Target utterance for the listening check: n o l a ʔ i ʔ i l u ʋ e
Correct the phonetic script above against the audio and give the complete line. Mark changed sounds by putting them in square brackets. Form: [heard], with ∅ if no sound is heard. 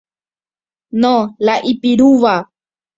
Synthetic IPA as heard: n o l a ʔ i [p] i [ɾ] u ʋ [a]